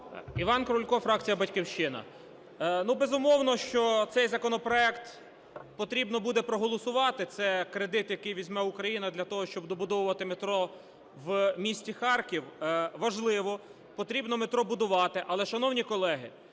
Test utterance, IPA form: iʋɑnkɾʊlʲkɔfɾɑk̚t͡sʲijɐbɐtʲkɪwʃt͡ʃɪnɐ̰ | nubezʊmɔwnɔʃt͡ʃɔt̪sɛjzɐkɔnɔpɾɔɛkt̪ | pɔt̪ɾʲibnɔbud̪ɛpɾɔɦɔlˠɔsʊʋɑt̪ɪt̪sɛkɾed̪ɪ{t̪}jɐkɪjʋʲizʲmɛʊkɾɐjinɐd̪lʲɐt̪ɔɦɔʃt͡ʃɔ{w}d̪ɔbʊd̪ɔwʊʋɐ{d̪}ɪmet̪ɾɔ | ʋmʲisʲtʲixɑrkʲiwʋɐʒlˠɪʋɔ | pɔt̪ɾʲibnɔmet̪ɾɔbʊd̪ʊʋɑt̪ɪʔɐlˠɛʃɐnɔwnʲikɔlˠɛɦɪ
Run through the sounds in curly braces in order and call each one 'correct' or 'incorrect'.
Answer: correct, incorrect, incorrect

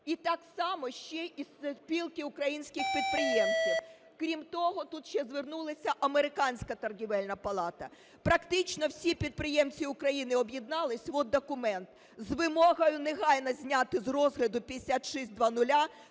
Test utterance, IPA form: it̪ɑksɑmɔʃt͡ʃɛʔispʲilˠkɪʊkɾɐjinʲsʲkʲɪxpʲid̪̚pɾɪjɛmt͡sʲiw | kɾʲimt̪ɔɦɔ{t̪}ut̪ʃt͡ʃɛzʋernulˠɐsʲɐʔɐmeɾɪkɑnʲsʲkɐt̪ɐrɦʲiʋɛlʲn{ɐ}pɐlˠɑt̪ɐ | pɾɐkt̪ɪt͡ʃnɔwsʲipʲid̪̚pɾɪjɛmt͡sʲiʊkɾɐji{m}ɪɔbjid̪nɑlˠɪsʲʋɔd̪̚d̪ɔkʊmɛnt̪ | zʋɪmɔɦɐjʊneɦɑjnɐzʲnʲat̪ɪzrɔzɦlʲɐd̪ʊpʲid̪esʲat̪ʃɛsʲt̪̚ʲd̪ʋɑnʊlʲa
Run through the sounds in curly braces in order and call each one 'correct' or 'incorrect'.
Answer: correct, correct, incorrect

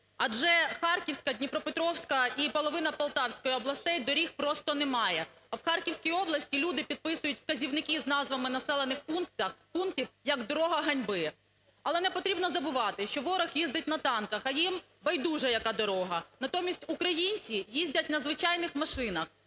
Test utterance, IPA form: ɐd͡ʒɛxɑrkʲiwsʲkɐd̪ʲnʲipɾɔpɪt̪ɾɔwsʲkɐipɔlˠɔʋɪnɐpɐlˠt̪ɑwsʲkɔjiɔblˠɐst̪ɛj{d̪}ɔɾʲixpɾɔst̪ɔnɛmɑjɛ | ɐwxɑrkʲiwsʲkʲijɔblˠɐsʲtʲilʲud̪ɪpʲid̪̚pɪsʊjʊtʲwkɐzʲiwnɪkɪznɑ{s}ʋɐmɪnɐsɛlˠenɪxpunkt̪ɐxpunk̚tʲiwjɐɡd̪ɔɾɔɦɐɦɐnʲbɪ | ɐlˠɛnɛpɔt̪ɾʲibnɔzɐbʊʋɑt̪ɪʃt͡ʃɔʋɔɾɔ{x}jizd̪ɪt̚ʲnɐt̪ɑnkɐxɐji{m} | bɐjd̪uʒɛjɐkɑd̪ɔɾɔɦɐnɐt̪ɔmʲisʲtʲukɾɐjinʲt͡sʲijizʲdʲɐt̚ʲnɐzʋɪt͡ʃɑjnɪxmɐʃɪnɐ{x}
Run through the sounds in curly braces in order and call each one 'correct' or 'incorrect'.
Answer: correct, incorrect, correct, correct, correct

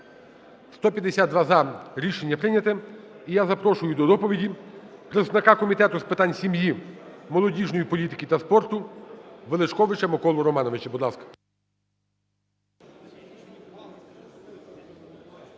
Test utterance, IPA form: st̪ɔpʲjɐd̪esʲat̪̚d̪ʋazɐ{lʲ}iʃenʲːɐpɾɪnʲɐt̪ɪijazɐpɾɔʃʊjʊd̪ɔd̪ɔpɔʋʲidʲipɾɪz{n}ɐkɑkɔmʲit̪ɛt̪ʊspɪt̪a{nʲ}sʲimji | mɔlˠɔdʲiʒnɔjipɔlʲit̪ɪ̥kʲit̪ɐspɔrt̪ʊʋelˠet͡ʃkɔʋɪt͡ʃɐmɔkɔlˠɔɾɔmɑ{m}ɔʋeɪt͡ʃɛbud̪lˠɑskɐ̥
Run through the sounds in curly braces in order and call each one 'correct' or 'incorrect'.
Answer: incorrect, correct, correct, incorrect

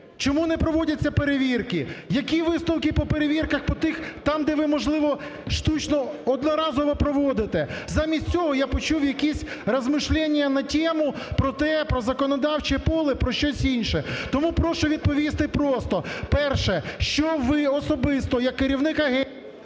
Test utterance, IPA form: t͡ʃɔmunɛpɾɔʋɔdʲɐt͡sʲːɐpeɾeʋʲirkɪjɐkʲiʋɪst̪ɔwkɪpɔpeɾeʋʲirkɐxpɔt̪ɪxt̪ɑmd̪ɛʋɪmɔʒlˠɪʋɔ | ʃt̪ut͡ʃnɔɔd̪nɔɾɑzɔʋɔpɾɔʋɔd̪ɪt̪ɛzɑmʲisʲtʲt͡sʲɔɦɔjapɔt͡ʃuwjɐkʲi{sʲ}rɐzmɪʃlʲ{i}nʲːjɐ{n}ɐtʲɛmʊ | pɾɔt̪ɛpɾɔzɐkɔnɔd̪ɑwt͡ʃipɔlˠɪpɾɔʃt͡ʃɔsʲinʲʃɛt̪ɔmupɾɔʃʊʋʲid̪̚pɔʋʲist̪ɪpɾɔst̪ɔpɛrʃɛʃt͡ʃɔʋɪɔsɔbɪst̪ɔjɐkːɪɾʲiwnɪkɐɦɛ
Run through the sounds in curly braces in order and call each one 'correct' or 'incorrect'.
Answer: correct, incorrect, correct

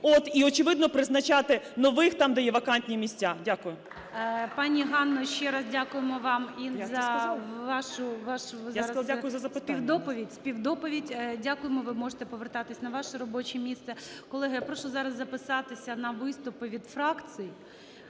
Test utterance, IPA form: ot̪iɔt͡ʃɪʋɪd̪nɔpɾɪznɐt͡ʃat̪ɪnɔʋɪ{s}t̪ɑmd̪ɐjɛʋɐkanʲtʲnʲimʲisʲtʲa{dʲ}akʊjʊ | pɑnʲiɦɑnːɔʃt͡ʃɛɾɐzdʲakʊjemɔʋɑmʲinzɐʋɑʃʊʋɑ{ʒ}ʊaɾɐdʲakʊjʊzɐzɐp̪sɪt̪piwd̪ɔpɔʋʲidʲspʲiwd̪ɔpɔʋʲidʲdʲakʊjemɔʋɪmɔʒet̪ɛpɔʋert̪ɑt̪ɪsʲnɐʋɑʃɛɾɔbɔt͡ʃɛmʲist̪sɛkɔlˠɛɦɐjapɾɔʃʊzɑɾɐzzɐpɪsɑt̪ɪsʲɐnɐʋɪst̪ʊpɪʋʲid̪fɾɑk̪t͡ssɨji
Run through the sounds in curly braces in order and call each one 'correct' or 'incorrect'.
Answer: incorrect, correct, incorrect

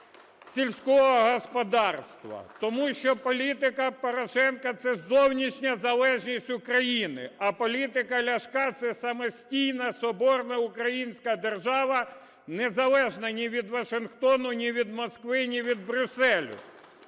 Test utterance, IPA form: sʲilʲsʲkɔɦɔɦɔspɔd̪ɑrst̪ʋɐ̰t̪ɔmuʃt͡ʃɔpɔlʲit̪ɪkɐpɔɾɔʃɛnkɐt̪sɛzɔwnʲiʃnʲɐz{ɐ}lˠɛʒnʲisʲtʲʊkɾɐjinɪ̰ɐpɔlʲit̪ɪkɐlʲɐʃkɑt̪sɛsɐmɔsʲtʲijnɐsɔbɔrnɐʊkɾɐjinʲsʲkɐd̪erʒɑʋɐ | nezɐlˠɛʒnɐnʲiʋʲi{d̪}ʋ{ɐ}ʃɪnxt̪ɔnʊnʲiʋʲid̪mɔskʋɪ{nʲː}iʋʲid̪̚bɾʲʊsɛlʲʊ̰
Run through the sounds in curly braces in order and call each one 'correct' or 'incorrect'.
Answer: correct, correct, correct, incorrect

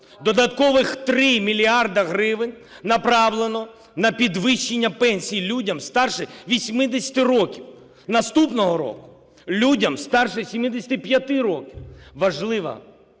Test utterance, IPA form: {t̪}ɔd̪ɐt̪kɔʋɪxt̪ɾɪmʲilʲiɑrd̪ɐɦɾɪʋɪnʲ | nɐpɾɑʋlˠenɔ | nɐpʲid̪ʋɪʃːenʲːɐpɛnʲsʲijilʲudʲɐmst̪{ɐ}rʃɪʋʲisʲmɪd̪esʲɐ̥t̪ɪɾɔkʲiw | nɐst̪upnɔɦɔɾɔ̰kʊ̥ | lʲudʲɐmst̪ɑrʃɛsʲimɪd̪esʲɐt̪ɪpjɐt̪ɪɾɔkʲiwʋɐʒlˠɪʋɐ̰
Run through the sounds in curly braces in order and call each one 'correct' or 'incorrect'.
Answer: incorrect, incorrect

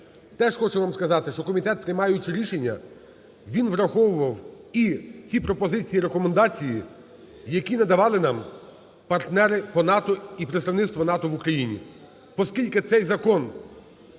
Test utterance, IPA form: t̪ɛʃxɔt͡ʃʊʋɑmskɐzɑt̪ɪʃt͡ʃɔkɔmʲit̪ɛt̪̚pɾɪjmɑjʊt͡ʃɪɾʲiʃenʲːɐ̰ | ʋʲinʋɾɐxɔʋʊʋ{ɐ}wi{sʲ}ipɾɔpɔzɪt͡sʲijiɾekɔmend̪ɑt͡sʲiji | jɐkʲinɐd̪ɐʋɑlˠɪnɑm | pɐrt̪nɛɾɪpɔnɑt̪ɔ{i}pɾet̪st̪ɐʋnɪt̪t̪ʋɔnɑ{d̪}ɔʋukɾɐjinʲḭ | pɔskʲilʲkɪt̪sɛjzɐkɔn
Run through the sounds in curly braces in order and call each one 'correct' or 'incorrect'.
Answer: correct, incorrect, correct, incorrect

